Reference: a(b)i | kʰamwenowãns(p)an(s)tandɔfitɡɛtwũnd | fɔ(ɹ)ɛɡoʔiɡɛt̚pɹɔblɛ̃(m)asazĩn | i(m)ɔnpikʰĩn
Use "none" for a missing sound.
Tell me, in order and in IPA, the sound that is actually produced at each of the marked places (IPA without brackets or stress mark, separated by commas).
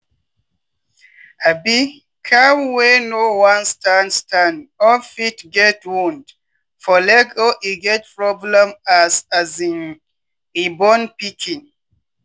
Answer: b, t, s, l, m, b